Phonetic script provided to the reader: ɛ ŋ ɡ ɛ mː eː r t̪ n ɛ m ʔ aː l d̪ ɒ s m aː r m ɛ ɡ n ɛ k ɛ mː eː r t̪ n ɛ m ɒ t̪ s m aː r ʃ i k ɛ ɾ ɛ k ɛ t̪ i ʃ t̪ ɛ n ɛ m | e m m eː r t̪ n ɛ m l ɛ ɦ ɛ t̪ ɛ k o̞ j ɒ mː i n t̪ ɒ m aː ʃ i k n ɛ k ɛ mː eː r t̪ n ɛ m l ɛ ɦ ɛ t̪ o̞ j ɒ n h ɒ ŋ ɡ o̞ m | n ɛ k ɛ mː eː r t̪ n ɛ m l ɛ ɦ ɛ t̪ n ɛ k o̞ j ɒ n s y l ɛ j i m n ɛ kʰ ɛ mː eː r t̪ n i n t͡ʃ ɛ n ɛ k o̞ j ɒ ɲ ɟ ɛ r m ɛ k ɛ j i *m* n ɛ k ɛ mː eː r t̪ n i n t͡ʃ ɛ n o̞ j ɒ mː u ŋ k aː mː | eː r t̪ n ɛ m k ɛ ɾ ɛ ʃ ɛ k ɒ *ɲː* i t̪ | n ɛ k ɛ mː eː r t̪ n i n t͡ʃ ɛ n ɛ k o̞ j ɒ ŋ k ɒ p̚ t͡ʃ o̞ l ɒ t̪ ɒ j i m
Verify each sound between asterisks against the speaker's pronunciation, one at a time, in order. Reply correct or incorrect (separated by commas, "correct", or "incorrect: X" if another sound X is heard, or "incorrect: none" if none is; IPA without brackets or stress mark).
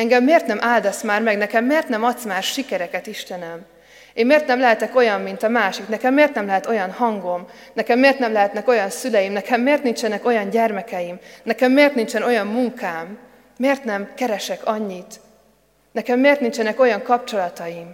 correct, correct